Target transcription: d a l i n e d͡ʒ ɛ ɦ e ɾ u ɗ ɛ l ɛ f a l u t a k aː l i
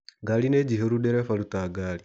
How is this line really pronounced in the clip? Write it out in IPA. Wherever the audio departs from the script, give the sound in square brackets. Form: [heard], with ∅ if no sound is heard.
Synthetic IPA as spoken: [ɡ] a l i n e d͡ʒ [i] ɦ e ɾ u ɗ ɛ [ɾ] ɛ f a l u t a [ɡ] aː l i